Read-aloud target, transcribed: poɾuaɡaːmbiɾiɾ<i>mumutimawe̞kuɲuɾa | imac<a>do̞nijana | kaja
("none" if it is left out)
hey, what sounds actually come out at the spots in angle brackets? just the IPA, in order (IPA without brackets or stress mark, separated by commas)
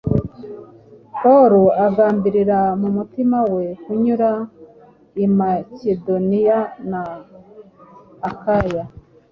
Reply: a, e